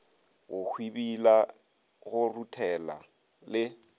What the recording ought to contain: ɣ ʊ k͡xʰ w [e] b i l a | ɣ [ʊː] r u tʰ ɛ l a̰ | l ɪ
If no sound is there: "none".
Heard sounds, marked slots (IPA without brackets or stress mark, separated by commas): i, ʊ